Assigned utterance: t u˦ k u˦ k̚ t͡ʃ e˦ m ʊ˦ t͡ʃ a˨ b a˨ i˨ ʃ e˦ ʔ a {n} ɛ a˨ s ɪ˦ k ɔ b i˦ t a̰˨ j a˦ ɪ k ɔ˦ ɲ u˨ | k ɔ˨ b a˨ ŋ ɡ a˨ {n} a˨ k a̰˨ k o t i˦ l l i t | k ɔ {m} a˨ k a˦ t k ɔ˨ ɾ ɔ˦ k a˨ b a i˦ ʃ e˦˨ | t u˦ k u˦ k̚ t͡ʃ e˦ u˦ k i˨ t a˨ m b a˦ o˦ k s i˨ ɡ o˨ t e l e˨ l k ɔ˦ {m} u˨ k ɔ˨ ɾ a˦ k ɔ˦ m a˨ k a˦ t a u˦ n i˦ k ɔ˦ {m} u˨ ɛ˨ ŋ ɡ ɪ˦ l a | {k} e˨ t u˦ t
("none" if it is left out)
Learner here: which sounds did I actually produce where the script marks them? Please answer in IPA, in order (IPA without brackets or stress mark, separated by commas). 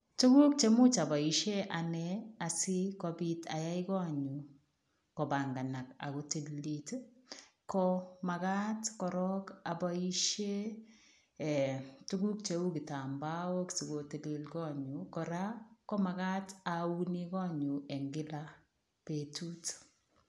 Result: n, n, m, ɲ, ɲ, p